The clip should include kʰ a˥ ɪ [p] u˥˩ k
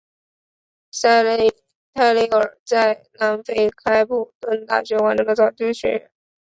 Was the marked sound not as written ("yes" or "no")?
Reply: no